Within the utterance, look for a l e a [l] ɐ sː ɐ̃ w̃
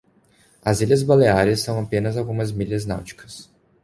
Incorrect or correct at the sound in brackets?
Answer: incorrect: ɾ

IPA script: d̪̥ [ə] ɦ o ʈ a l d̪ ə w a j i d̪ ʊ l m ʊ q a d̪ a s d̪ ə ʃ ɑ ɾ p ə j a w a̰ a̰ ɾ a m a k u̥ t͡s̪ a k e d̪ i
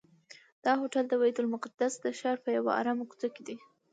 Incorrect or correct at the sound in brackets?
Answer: incorrect: ɑ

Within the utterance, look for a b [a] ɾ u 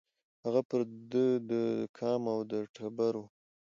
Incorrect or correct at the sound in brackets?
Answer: correct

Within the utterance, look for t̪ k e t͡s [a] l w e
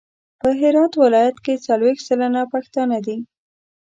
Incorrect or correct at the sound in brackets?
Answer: correct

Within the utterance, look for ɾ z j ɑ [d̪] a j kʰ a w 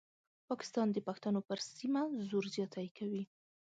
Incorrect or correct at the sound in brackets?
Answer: incorrect: t̪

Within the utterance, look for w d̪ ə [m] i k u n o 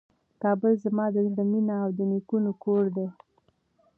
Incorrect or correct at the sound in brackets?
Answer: incorrect: n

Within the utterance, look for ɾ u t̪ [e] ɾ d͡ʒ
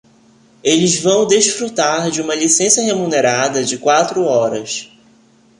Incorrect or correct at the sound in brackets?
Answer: incorrect: a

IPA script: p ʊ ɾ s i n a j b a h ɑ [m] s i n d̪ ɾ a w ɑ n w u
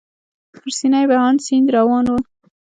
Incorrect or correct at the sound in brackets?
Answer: incorrect: n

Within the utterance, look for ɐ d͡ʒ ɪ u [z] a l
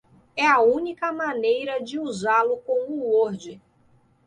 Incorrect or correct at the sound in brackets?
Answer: correct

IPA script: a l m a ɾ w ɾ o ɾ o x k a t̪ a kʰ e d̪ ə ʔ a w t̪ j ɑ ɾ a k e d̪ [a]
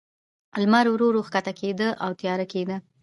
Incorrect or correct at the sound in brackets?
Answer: incorrect: ə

